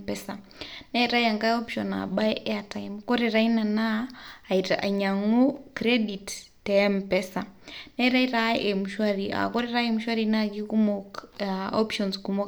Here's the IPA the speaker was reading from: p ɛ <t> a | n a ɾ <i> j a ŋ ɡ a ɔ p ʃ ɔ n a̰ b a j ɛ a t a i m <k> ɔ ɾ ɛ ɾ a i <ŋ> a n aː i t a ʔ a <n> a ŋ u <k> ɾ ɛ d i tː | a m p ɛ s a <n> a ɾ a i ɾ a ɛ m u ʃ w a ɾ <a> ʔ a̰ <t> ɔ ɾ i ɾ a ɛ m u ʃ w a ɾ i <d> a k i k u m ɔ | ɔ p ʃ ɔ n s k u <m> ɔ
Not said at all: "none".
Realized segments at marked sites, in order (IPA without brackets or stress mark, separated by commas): s, a, k, n, ɲ, k, n, i, k, n, m